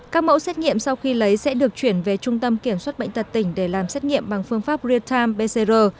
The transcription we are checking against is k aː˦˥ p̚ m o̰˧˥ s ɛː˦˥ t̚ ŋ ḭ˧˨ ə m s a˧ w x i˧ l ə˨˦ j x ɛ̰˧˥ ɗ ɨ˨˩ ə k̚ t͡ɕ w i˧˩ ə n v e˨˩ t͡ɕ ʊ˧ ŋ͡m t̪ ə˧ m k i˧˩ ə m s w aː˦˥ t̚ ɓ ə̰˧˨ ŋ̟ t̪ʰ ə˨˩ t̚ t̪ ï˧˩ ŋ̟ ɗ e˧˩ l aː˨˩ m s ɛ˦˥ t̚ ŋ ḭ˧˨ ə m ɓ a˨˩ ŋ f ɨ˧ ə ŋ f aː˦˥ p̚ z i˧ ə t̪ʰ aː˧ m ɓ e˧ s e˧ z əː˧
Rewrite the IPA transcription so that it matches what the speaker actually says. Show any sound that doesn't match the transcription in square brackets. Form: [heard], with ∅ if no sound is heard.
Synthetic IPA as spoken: k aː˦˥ [k̚] m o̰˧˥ s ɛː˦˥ t̚ ŋ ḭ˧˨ ə m s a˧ w x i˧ l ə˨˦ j [s] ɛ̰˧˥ ɗ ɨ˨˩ ə k̚ t͡ɕ w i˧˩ ə n v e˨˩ t͡ɕ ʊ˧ ŋ͡m t̪ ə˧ m k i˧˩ ə m s w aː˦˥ t̚ ɓ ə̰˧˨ ŋ̟ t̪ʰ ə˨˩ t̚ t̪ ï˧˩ ŋ̟ ɗ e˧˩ l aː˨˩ m s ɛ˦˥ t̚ ŋ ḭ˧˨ ə m ɓ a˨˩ ŋ f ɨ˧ ə ŋ f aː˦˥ p̚ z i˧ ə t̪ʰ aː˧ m ɓ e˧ s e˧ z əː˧